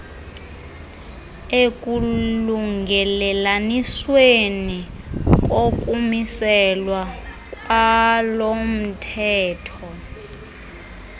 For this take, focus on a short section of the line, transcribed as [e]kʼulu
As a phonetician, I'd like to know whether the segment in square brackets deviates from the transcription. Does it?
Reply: no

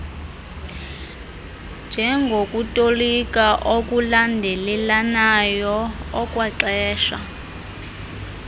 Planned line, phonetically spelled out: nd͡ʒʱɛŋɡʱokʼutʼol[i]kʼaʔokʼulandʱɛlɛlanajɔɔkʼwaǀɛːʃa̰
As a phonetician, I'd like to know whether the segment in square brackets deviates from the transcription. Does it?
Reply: no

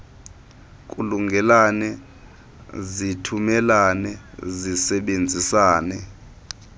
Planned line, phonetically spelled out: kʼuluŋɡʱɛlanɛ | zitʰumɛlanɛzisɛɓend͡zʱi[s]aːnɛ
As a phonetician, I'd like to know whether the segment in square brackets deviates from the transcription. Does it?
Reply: no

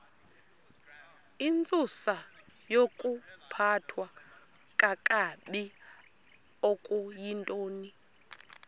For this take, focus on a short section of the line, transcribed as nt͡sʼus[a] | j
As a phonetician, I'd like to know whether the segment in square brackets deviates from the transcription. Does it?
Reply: no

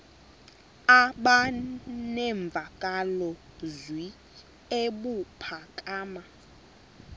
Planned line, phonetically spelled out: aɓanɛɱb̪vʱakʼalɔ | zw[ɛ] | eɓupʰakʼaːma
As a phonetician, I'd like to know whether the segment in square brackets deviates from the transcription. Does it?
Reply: yes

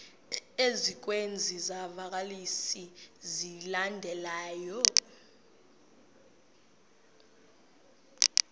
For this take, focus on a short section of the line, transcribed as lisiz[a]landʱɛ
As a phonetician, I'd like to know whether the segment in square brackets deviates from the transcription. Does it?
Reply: yes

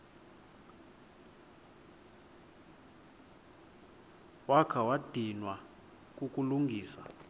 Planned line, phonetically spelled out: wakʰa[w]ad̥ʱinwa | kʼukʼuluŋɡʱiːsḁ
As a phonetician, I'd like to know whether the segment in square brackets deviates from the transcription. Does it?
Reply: no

